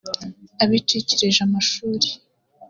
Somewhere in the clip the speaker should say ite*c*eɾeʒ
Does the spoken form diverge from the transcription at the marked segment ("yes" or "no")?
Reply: no